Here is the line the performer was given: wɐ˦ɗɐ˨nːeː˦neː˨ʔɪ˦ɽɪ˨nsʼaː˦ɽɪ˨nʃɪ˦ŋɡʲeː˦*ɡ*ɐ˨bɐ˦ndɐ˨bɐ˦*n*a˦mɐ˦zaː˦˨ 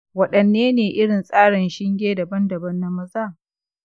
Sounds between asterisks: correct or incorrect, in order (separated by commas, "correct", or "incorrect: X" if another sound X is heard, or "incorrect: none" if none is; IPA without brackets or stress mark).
incorrect: d, incorrect: nː